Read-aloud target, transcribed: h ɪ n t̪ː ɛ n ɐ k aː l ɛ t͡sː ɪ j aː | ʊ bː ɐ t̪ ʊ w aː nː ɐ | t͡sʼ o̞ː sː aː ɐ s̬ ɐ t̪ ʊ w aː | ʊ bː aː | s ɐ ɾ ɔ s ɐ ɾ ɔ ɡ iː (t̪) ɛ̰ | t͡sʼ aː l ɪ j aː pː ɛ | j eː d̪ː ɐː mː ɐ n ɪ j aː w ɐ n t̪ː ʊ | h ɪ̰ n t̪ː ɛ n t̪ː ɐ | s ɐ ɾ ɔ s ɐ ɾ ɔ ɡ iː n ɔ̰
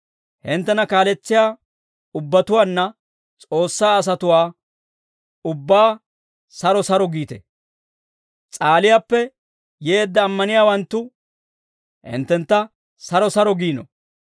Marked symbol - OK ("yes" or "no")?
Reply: yes